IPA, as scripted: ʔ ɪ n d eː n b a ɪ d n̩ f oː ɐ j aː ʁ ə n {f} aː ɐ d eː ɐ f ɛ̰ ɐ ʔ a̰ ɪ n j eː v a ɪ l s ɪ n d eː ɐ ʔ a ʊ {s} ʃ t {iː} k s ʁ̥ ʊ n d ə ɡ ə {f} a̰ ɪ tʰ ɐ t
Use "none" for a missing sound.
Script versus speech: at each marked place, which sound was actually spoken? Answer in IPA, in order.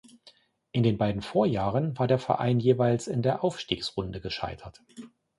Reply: v, f, iː, ʃ

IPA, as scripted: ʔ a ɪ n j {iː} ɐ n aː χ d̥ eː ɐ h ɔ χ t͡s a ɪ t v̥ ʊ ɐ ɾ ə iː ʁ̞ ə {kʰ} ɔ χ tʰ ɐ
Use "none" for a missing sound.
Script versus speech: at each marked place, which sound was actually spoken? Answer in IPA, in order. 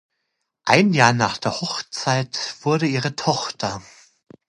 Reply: aː, tʰ

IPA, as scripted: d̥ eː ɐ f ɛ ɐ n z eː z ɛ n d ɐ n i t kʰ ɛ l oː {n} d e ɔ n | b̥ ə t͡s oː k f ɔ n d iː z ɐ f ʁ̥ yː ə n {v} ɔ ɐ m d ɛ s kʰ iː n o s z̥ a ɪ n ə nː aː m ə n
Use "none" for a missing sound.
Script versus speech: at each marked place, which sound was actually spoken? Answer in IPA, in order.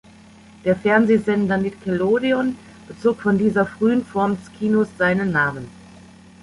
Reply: none, f

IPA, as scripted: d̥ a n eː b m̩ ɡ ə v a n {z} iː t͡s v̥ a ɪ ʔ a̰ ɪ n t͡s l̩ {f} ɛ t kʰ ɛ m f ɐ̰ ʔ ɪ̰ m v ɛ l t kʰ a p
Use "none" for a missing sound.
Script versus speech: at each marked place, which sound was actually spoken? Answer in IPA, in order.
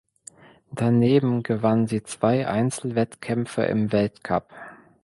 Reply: z, v

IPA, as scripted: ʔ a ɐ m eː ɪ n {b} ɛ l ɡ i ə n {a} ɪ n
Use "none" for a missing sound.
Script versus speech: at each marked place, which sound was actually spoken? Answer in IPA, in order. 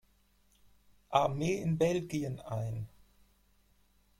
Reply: b, a

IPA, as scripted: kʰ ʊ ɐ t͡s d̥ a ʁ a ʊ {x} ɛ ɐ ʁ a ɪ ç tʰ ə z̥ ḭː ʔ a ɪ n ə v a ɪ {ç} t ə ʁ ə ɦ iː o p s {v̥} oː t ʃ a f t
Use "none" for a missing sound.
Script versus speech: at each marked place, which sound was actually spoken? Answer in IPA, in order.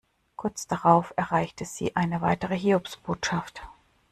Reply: f, none, b̥

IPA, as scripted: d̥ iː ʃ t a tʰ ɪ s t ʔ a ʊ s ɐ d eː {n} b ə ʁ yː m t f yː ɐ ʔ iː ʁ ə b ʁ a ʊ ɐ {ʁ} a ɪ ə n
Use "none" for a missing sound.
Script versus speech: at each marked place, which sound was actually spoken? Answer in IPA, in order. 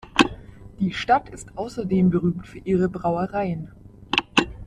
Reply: m, ʁ

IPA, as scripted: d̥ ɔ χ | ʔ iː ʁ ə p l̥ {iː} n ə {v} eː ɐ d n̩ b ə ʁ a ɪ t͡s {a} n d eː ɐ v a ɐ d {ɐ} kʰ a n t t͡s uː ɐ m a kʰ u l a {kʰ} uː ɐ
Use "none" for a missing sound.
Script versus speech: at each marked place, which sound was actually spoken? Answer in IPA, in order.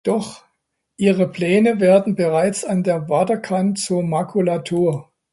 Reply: ɛː, v, a, ɐ, tʰ

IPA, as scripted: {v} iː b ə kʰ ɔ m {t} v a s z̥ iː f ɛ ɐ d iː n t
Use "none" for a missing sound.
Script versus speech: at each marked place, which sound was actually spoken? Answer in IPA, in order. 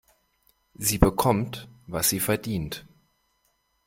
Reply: z, t

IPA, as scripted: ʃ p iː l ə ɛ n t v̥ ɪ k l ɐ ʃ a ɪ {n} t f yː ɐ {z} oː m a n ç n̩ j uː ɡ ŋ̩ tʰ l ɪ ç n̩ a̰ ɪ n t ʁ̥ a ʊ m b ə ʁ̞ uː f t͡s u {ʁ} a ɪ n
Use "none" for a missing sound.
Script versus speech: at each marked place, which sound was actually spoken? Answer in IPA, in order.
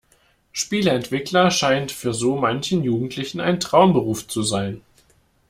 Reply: n, z, z

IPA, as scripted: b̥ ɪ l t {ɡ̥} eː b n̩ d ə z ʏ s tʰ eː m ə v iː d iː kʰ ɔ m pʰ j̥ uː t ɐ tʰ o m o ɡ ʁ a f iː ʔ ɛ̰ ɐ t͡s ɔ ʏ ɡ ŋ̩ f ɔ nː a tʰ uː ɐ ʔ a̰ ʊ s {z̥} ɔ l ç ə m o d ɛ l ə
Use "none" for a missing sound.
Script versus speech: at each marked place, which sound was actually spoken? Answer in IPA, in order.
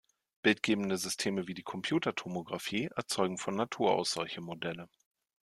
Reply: ɡ̥, z̥

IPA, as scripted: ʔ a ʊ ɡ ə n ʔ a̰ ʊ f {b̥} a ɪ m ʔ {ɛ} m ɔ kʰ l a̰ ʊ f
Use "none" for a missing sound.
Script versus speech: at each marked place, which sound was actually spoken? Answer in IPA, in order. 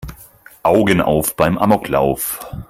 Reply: b̥, a

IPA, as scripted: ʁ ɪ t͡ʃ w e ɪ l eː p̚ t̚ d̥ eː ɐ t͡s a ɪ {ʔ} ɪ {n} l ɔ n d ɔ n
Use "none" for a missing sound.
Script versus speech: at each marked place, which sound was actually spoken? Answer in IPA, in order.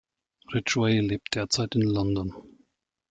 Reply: t, n

